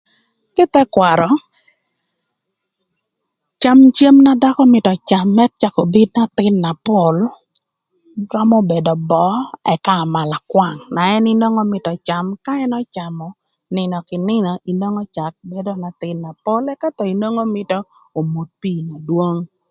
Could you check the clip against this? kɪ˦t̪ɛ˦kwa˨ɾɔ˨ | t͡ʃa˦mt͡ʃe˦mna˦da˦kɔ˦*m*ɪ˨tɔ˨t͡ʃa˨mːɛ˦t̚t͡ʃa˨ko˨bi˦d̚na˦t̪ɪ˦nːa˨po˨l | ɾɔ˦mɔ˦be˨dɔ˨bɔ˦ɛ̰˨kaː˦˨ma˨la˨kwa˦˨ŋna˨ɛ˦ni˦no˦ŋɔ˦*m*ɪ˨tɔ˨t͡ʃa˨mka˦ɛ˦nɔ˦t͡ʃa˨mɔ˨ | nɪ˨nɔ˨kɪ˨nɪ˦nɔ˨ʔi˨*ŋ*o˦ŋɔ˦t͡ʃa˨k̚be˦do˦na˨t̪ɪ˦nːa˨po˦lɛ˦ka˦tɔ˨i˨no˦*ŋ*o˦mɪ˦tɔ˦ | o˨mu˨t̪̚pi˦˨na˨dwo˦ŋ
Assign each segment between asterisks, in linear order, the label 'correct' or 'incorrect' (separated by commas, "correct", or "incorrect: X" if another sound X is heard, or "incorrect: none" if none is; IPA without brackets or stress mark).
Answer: correct, correct, incorrect: n, correct